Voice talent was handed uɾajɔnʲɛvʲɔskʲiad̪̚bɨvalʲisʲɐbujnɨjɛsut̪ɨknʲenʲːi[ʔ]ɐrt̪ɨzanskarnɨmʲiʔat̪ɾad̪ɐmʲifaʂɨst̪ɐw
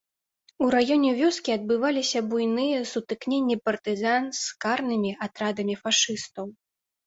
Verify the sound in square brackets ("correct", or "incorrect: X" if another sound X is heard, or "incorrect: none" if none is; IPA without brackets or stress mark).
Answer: incorrect: p